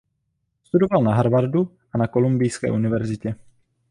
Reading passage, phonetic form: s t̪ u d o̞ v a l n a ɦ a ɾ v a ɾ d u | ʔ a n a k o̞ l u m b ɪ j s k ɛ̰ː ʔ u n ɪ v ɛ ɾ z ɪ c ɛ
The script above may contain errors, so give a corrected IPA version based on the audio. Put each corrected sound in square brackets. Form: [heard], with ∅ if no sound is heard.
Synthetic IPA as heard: s t̪ u d o̞ v a l n a ɦ a ɾ v a ɾ d u | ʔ a n a k o̞ l u m b ɪ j s k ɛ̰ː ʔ u n ɪ v ɛ ɾ z ɪ c ɛ